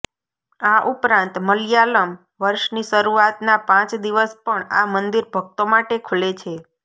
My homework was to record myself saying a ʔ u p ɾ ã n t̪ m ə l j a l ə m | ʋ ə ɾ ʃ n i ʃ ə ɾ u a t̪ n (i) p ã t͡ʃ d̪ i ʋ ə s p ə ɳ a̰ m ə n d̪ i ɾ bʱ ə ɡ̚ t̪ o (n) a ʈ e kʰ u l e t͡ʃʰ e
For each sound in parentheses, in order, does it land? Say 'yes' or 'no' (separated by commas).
no, no